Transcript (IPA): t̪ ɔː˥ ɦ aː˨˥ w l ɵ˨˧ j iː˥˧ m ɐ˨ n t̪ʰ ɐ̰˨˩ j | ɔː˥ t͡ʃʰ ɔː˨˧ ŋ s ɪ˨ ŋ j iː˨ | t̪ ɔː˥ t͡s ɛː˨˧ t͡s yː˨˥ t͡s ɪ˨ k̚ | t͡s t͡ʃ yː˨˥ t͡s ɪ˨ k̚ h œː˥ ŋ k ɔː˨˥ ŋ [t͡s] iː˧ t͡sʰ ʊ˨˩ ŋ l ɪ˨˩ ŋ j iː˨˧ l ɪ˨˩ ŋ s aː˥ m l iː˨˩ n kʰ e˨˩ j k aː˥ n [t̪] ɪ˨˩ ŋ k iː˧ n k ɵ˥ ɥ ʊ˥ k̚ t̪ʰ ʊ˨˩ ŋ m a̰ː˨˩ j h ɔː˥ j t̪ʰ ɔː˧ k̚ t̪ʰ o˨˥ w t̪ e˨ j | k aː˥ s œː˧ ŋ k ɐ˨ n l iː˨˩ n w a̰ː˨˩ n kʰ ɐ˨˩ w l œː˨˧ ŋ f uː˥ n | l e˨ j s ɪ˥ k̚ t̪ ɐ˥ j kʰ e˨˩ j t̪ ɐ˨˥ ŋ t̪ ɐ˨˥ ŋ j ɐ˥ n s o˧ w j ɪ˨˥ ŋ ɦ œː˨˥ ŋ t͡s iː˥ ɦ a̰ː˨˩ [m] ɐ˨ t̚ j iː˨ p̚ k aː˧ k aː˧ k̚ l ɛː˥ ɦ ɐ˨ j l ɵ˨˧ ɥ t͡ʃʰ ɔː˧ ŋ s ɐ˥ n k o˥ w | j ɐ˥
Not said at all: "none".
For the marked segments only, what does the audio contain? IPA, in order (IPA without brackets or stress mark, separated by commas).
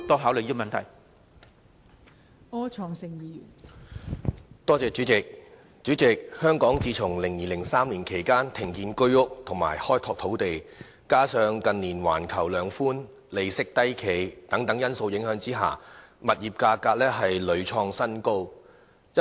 t͡s, t̪ʰ, m